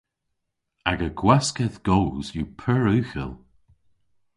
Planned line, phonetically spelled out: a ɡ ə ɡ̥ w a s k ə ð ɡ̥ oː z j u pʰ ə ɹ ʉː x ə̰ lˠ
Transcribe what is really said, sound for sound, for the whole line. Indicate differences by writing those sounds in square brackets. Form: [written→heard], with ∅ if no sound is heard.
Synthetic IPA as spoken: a ɡ ə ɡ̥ w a s k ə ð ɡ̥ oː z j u pʰ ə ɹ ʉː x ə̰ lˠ